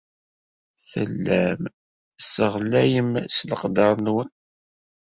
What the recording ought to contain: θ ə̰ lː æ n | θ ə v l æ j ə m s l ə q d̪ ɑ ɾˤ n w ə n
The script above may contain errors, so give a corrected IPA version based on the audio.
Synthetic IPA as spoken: θ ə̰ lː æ m | s ə ʁ l æ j ə m s l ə q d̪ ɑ ɾˤ n w ə n